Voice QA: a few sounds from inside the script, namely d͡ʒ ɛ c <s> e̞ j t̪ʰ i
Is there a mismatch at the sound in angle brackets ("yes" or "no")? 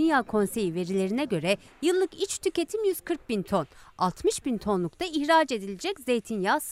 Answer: yes